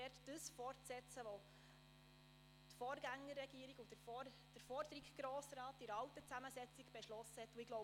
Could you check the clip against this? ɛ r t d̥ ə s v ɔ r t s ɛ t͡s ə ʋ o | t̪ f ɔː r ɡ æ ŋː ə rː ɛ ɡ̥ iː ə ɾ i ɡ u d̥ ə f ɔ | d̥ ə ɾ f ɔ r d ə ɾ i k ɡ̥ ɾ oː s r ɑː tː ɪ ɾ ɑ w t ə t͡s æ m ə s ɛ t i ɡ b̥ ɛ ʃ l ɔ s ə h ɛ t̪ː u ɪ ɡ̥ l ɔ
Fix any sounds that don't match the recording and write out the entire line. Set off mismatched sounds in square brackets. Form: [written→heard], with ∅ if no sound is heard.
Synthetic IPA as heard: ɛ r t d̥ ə s [v→f] ɔ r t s ɛ t͡s ə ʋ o | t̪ f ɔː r ɡ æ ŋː ə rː ɛ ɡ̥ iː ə ɾ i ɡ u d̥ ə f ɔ | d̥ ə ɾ f ɔ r d ə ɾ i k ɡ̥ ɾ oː s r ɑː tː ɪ ɾ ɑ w t ə t͡s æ m ə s ɛ [t→t͡s] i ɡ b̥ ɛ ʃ l ɔ s ə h ɛ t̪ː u ɪ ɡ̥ l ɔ